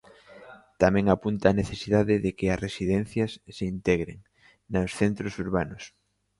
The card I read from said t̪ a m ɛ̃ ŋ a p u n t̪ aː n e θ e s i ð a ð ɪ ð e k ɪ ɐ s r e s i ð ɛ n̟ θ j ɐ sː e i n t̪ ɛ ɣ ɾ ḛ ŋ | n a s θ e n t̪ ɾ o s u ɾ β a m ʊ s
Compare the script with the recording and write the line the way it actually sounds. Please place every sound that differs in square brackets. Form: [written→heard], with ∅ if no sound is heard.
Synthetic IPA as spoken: t̪ a m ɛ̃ ŋ a p u n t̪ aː n e θ e s i ð a ð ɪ ð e k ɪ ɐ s r e s i ð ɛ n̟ θ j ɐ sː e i n t̪ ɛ ɣ ɾ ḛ ŋ | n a s θ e n t̪ ɾ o s u ɾ β a [m→n] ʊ s